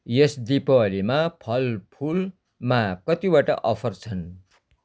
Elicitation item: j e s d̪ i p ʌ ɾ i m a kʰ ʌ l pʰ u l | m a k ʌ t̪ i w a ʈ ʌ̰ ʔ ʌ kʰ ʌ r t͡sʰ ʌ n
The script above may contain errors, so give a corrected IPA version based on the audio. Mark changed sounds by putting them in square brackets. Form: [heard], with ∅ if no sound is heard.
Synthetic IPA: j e s d̪ i p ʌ [l] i m a [pʰ] ʌ l pʰ u l | m a k ʌ t̪ i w a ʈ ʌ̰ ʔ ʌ [pʰ] ʌ r t͡sʰ ʌ n